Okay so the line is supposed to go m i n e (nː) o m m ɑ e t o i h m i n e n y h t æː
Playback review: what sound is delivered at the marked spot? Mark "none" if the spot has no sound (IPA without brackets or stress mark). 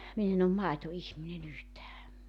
n